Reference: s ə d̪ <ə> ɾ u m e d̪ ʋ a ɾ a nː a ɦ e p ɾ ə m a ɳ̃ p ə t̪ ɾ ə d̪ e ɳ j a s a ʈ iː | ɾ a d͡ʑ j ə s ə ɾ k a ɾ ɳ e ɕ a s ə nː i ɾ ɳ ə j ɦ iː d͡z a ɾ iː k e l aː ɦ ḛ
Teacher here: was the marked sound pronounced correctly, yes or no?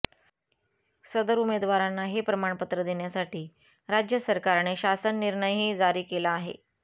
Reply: yes